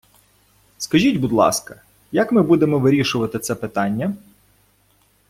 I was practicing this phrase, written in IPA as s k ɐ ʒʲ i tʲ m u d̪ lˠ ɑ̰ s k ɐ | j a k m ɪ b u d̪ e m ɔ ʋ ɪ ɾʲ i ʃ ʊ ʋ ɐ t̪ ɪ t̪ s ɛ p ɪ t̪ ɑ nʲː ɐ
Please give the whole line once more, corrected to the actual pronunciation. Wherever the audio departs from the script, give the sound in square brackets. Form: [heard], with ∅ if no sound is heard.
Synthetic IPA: s k ɐ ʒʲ i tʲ [b] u d̪ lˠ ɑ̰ s k ɐ | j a k m ɪ b u d̪ e m ɔ ʋ ɪ ɾʲ i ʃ ʊ ʋ ɐ t̪ ɪ t̪ s ɛ p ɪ t̪ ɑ nʲː ɐ